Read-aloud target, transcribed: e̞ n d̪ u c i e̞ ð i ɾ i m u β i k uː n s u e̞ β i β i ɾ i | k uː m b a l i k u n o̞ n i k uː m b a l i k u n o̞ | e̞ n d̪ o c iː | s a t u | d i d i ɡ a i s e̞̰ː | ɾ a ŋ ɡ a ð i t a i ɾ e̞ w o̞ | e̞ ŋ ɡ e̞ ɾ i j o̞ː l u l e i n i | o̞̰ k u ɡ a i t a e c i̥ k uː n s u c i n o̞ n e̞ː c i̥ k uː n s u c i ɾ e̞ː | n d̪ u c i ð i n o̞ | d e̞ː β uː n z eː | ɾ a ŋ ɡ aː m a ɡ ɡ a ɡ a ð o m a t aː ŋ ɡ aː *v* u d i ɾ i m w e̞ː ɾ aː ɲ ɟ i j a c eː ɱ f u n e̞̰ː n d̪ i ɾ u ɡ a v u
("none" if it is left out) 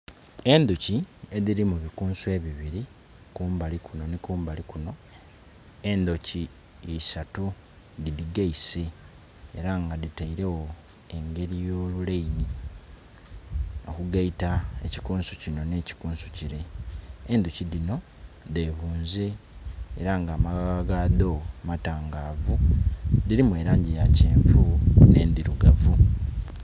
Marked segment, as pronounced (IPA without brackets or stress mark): v